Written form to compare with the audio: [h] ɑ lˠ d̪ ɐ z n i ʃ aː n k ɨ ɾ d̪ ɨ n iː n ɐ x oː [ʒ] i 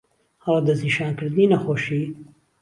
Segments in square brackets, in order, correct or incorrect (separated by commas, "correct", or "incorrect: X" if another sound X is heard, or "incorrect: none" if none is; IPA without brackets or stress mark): correct, incorrect: ʃ